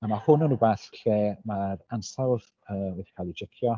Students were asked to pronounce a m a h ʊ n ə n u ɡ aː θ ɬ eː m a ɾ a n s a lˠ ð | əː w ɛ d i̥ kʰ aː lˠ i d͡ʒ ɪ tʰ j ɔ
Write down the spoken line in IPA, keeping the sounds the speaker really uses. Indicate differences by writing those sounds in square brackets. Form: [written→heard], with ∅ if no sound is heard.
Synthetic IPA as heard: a m a h ʊ n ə n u [ɡ→b] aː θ ɬ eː m a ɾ a n s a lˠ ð | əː w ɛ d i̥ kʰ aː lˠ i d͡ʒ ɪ [tʰ→kʰ] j ɔ